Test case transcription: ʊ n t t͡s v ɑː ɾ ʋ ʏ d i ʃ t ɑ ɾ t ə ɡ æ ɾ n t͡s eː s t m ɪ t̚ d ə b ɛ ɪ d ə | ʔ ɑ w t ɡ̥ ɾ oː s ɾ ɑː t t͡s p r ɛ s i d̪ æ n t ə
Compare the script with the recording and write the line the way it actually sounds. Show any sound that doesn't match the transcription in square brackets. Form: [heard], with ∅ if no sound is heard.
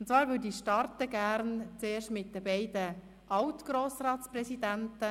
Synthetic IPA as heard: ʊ n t t͡s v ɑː ɾ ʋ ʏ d i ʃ t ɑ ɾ t ə ɡ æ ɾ n t͡s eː [ʃ] t m ɪ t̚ d ə b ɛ ɪ d ə | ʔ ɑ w t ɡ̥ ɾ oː s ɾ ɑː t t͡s p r ɛ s i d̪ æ n t ə